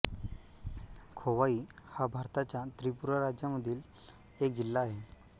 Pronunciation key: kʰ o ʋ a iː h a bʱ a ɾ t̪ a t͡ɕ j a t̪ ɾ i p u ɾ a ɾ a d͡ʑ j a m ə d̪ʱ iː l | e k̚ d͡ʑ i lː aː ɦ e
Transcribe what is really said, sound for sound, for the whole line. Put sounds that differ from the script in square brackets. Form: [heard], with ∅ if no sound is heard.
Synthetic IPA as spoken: kʰ o ʋ a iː h a bʱ a ɾ t̪ a t͡ɕ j a t̪ ɾ i p u ɾ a ɾ a d͡ʑ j a m ə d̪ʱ iː l | e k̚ d͡ʑ i lː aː ɦ e